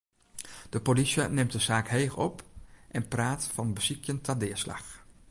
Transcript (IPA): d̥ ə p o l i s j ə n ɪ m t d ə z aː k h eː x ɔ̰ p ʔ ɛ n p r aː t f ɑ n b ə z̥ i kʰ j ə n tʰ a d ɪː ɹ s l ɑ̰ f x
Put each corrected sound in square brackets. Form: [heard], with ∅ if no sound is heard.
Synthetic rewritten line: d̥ ə p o l i s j ə n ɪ m t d ə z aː k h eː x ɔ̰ p ʔ ɛ n p r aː t f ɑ n b ə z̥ i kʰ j ə n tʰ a d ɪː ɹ s l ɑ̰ [∅] x